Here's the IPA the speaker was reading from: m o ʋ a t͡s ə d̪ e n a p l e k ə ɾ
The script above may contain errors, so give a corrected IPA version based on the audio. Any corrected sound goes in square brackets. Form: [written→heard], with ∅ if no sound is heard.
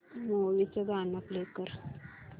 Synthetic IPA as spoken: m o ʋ [a→i] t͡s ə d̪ [e→a] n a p l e k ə ɾ

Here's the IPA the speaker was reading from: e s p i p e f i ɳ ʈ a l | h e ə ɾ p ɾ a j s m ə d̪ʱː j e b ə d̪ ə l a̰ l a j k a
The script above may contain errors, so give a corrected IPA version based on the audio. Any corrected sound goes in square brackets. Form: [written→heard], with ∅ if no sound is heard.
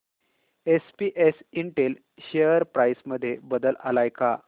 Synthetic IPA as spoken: e s p i [p→ʔ] e [f→s] i ɳ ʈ [a→e] l | [h→ɕ] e ə ɾ p ɾ a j s m ə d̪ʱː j e b ə d̪ ə l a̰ l a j k a

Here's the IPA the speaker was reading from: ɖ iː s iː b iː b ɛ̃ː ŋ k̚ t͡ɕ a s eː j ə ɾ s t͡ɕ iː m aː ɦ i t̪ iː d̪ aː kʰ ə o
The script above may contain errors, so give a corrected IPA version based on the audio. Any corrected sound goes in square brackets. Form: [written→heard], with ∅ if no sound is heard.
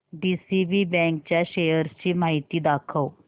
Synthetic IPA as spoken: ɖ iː s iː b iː b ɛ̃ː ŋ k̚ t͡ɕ a [s→ʃ] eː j ə ɾ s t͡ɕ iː m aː ɦ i t̪ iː d̪ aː kʰ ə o

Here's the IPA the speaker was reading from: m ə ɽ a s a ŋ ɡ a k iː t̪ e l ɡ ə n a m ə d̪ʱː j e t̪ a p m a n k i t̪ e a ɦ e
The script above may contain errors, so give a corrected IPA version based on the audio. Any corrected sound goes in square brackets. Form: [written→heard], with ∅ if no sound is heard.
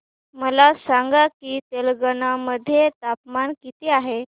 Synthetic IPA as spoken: m ə [ɽ→l] a s a ŋ ɡ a k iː t̪ e l ɡ ə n a m ə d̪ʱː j e t̪ a p m a n k i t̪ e a ɦ e

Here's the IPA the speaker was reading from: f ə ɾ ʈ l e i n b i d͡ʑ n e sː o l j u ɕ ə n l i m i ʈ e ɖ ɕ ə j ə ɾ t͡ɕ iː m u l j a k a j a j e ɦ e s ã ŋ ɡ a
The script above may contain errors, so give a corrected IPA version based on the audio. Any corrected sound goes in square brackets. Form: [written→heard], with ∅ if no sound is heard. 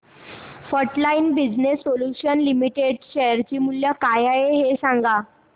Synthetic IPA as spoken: f ə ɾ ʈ l [e→a] i n b i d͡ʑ n e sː o l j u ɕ ə n l i m i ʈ e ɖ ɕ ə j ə ɾ t͡ɕ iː m u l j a k a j a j e ɦ e s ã ŋ ɡ a

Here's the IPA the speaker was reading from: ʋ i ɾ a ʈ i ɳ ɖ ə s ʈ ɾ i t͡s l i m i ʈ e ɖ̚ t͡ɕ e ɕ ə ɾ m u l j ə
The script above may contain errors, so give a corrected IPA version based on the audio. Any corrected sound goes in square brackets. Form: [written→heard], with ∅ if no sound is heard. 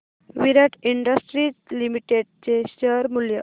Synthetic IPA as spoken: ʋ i ɾ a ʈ i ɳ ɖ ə s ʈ ɾ i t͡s l i m i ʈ e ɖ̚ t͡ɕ e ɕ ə ɾ m u l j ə

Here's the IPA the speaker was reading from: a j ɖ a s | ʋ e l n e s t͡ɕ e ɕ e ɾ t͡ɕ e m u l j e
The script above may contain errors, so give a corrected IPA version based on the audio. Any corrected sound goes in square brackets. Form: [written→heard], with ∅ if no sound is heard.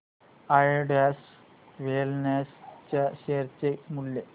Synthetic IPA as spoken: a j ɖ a s | ʋ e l n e s t͡ɕ [e→a] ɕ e ɾ t͡ɕ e m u l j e

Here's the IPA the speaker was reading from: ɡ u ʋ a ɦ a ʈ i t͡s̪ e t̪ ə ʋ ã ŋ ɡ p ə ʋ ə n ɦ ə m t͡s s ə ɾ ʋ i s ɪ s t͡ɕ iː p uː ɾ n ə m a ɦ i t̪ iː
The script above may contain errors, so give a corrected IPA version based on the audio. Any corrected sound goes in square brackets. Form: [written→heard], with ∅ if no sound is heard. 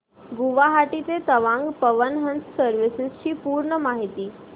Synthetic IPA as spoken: ɡ u ʋ a ɦ a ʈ i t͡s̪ e t̪ ə ʋ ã ŋ ɡ p ə ʋ ə n ɦ ə [m→n] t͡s s ə ɾ ʋ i s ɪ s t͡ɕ iː p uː ɾ [n→ɳ] ə m a ɦ i t̪ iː

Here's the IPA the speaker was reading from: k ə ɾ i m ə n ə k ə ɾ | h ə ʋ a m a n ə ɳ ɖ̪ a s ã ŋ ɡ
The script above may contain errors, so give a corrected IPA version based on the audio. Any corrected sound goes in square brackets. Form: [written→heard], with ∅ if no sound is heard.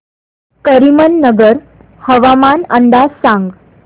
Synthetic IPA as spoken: k ə ɾ i m ə [n→nː] ə [k→ɡ] ə ɾ | h ə ʋ a m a n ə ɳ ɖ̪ a s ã ŋ ɡ

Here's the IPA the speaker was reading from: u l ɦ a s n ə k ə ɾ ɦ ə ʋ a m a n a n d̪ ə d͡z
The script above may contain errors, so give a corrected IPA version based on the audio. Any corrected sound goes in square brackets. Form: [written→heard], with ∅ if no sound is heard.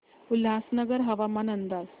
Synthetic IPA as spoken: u l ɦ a s n ə [k→ɡ] ə ɾ ɦ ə ʋ a m a n [a→ə] n d̪ [ə→a] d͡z

